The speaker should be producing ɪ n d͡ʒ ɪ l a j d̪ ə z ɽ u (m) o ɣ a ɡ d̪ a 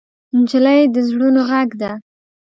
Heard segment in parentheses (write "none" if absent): n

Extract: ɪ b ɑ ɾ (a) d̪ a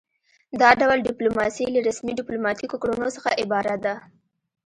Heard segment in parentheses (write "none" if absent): a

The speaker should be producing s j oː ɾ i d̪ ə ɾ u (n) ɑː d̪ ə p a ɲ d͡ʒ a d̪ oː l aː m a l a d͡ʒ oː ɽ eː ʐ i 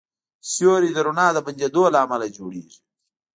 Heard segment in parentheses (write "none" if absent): n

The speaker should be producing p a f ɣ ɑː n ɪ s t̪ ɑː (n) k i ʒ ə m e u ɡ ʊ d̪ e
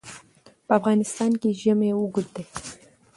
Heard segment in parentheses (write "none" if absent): n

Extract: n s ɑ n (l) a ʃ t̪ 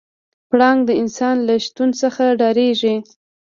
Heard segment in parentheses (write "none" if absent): l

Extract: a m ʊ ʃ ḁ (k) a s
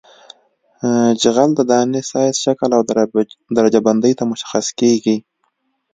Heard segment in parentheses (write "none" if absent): x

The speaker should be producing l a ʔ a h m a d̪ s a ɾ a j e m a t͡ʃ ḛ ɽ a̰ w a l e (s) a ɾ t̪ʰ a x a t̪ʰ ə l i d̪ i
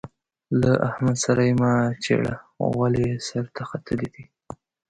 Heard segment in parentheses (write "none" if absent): s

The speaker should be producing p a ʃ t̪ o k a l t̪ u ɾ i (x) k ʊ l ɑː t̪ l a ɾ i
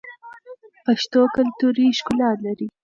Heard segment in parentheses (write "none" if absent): ʃ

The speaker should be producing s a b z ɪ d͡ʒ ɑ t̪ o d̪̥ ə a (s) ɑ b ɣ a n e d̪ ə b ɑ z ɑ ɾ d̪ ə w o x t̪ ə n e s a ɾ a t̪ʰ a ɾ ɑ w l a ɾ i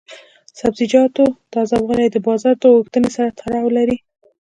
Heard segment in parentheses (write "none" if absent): z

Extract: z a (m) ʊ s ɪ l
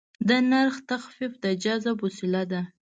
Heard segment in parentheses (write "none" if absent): b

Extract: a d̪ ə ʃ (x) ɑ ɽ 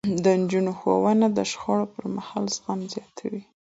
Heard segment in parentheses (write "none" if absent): x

